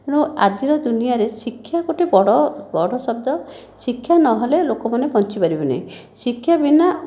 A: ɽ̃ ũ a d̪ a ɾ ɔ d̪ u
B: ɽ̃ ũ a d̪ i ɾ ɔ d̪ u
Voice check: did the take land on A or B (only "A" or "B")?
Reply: B